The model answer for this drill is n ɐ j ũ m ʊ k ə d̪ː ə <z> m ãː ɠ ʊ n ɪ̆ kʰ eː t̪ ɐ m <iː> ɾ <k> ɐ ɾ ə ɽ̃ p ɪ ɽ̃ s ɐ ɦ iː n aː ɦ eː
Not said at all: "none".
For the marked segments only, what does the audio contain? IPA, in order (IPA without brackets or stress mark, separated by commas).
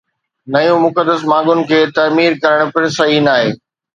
s, iː, k